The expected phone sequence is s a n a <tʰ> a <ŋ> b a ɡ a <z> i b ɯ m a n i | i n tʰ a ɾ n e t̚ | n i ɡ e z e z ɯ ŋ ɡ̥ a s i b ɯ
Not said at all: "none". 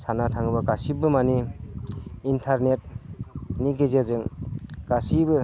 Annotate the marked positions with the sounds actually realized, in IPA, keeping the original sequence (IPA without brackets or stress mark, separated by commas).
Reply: tʰ, ŋ, s